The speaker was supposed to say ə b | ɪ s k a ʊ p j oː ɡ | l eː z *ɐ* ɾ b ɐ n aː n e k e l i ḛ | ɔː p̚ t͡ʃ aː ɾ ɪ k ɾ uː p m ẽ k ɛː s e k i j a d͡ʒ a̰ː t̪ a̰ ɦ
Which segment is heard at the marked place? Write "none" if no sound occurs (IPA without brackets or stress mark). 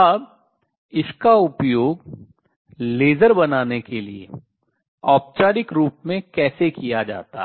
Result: ə